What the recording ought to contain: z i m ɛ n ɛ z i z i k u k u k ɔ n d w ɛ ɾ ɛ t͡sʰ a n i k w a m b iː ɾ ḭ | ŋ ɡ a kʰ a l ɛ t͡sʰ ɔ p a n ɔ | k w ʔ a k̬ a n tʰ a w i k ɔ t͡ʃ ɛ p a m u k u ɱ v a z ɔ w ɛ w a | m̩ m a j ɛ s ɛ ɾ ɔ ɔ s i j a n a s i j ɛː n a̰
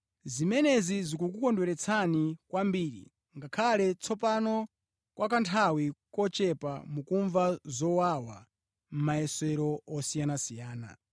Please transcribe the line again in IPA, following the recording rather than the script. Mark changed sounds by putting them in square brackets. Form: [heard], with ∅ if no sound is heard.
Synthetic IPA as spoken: z i m ɛ n ɛ z i z i k u k u k ɔ n d w ɛ ɾ ɛ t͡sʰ a n i k w a m b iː ɾ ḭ | ŋ ɡ a kʰ a l ɛ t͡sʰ ɔ p a n ɔ | k w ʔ a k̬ a n tʰ a w i k ɔ t͡ʃ ɛ p a m u k u ɱ v a z ɔ w [a] w a | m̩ m a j ɛ s ɛ ɾ ɔ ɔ s i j a n a s i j [aː] n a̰